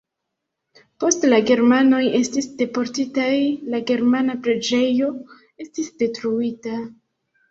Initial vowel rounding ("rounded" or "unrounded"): rounded